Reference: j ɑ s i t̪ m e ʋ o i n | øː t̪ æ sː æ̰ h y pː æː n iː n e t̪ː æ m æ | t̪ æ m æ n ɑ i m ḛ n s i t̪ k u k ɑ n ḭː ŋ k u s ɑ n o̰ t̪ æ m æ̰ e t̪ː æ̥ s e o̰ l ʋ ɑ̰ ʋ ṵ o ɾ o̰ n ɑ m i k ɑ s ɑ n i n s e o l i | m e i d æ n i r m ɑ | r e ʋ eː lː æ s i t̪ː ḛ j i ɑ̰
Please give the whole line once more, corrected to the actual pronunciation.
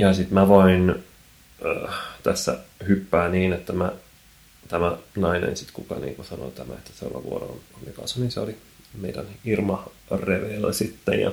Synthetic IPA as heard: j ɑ s i t̪ m æ ʋ o i n | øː t̪ æ sː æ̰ h y pː æː n iː n e t̪ː æ m æ | t̪ æ m æ n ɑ i n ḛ n s i t̪ k u k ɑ n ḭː ŋ k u s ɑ n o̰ t̪ æ m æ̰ e t̪ː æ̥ s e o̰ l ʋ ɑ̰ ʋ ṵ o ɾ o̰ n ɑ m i k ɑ s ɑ n i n s e o l i | m e i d æ n i r m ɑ | r e ʋ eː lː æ s i t̪ː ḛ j j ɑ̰